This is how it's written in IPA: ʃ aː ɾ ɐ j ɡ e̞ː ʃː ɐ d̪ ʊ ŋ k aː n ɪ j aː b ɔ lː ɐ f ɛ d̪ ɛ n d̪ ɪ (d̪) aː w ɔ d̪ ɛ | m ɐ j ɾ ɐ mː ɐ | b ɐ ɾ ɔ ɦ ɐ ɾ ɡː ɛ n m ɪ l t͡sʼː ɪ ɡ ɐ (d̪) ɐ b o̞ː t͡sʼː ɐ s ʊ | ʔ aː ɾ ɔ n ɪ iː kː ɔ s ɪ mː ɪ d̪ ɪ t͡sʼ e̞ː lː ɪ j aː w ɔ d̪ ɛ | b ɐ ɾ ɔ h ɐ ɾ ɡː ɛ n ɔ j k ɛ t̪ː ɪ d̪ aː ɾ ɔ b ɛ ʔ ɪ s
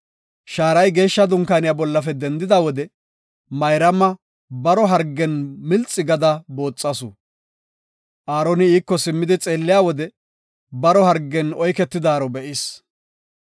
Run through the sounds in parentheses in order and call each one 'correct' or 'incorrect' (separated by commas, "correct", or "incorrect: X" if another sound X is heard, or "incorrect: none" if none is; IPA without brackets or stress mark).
correct, correct